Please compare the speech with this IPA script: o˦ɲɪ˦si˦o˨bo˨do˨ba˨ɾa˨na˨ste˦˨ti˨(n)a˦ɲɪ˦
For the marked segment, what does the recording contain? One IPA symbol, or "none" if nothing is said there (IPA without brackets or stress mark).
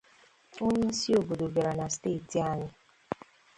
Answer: none